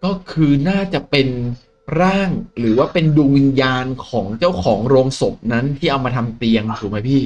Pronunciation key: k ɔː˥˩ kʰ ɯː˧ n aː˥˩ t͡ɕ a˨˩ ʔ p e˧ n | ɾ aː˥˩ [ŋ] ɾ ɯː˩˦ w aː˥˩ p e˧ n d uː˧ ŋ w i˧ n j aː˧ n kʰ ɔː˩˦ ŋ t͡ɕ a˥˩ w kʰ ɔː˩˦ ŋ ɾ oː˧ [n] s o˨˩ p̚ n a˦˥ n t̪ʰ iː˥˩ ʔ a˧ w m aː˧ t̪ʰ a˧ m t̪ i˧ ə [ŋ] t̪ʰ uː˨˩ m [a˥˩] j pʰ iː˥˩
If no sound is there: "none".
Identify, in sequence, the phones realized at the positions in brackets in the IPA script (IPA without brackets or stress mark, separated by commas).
ŋ, ŋ, ŋ, a˦˥